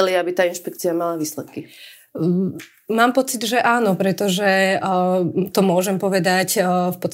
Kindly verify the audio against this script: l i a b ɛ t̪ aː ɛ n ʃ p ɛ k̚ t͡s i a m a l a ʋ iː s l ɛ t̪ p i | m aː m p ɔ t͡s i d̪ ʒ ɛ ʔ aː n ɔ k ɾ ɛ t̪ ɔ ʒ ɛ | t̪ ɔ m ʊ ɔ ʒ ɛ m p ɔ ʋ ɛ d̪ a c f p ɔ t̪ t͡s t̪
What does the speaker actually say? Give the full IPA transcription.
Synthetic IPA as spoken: l i a b i t̪ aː i n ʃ p ɛ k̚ t͡s i a m a l a ʋ iː s l ɛ t̪ k i | m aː m p ɔ t͡s i d̪ ʒ ɛ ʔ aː n ɔ p ɾ ɛ t̪ ɔ ʒ ɛ | t̪ ɔ m ʊ ɔ ʒ ɛ m p ɔ ʋ ɛ d̪ a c f p ɔ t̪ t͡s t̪